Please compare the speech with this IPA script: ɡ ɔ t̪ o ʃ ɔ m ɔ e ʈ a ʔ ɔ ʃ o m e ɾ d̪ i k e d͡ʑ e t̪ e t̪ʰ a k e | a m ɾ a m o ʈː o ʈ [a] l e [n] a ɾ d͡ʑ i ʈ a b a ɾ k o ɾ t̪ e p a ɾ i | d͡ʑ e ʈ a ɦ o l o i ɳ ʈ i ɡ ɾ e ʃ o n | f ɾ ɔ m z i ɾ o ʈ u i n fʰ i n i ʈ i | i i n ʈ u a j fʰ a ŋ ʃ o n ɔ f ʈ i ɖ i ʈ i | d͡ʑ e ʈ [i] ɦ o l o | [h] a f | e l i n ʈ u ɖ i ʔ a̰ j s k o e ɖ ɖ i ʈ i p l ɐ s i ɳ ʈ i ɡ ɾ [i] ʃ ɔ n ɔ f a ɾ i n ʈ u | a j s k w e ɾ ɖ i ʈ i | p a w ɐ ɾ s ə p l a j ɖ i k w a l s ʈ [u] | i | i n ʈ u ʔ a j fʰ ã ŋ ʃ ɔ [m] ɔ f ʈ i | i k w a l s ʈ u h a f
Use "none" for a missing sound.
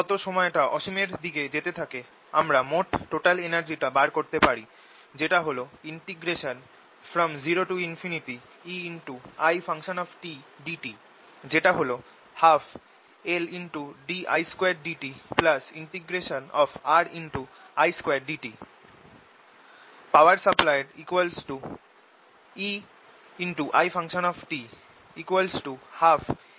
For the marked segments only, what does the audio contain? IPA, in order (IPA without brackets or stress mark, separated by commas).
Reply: a, n, a, h, e, u, n